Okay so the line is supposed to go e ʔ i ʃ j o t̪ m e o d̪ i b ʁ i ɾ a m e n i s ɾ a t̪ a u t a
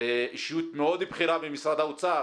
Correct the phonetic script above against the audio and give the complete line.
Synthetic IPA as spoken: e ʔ i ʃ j u t̪ m e o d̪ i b χ i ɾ a b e m i s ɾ a d̪ a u t͡s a